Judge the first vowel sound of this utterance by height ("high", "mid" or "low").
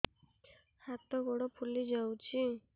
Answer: low